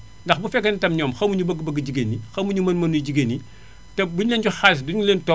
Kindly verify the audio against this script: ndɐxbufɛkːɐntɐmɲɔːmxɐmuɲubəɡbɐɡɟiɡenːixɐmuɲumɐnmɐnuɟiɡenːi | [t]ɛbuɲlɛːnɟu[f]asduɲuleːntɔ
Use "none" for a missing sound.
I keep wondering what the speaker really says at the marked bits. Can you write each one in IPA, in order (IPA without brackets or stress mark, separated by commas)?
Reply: t, x